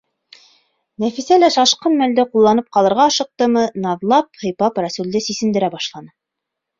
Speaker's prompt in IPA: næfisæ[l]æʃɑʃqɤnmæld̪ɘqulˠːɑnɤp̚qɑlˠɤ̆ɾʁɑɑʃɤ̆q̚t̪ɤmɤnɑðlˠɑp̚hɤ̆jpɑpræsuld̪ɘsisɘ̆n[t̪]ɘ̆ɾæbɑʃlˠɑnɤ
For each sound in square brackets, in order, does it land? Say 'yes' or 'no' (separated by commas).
yes, no